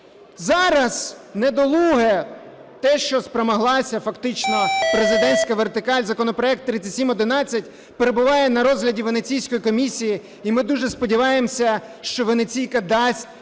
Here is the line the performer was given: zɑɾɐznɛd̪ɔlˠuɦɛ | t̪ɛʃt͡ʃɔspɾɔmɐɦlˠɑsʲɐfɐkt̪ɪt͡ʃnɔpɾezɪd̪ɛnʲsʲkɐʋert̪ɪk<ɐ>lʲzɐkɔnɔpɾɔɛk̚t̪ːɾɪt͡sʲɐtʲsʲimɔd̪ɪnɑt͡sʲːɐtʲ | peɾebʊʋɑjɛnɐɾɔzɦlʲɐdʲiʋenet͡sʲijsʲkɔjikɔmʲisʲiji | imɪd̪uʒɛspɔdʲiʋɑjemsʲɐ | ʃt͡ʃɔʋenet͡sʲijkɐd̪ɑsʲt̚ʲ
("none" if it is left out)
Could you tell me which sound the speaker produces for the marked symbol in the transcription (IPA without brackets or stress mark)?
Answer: ɑ